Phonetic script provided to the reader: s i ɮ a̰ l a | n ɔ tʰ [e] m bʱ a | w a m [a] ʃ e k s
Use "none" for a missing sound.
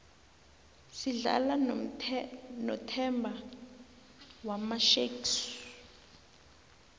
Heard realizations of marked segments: ɛ, a

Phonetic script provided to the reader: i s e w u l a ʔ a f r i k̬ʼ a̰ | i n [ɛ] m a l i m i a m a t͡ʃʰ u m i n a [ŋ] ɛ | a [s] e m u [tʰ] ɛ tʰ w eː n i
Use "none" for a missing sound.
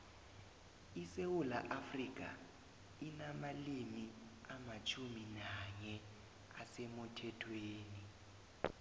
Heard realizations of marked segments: a, ɲ, s, tʰ

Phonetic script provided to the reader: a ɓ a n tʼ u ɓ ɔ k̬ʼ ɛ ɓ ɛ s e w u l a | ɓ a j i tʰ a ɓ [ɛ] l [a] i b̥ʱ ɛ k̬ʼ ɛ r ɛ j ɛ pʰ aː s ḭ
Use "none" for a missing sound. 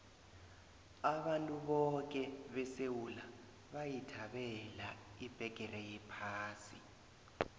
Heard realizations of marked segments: ɛ, a

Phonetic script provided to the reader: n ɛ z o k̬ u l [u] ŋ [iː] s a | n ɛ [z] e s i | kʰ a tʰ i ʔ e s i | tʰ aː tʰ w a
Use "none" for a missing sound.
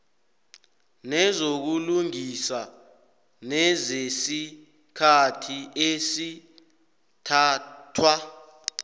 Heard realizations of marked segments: u, i, z

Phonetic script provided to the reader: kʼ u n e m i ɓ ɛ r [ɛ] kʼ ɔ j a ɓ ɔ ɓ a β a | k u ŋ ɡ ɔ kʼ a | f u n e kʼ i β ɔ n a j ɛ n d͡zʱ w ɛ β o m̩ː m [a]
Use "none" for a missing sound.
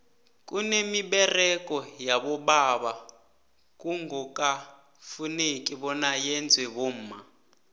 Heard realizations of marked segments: ɛ, a

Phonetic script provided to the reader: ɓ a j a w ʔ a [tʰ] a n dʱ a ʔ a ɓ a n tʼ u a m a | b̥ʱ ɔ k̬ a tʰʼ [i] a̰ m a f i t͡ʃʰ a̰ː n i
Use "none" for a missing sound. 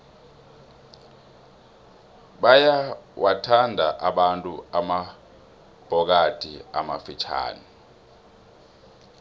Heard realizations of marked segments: tʰ, i

